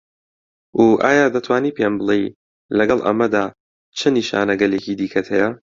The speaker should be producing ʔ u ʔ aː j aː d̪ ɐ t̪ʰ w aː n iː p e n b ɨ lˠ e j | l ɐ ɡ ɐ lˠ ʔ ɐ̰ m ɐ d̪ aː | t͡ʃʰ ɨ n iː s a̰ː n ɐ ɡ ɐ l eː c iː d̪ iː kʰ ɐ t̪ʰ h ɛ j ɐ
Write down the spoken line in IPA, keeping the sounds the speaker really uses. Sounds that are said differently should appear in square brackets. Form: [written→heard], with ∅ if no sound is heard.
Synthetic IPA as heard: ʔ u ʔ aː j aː d̪ ɐ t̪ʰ w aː n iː p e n b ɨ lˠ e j | l ɐ ɡ ɐ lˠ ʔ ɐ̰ m ɐ d̪ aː | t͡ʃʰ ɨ n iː [s→ʃ] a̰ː n ɐ ɡ ɐ l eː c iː d̪ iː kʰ ɐ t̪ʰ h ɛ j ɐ